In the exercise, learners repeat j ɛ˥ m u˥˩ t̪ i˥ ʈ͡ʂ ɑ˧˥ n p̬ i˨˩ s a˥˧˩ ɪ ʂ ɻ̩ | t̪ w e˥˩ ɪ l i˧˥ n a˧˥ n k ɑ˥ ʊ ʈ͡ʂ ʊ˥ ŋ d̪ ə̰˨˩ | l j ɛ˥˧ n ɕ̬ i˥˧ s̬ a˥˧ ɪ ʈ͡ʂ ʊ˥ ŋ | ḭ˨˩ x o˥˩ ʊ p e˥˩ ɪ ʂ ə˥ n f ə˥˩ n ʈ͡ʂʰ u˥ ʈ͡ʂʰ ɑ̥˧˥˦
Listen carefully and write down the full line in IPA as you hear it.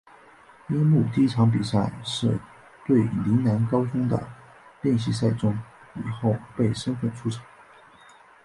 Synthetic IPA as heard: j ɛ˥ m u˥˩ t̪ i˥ ʈ͡ʂʰ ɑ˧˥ ŋ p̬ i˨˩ s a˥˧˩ ɪ ʂ ɻ̩ | t̪ w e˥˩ ɪ l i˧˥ n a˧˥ n k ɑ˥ ʊ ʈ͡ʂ ʊ˥ ŋ d̪ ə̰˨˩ | l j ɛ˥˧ n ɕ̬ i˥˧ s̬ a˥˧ ɪ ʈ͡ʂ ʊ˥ ŋ | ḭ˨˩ x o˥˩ ʊ p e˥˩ ɪ ʂ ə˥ n f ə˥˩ n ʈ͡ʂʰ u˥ ʈ͡ʂʰ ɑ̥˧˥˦